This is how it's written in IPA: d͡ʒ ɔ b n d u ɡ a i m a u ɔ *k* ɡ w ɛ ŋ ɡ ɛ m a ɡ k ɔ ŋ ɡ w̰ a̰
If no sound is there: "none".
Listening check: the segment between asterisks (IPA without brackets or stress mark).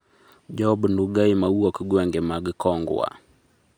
k